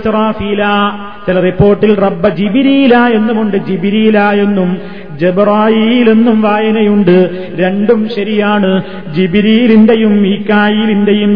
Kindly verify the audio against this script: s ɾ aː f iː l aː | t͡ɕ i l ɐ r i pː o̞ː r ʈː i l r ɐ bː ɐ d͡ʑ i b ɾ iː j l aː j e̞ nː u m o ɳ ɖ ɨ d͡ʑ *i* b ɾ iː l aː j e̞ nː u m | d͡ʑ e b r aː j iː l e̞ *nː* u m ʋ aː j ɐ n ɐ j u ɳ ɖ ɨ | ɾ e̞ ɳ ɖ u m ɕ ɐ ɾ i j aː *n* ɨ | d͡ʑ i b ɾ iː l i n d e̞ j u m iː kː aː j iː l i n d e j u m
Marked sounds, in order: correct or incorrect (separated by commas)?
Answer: correct, correct, incorrect